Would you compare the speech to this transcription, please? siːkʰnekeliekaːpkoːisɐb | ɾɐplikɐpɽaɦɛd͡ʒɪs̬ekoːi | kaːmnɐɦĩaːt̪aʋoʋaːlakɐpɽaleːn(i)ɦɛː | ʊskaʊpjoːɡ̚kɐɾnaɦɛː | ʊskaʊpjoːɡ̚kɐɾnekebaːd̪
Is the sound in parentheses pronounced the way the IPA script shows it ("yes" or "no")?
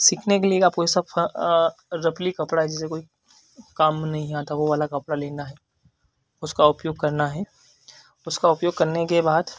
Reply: no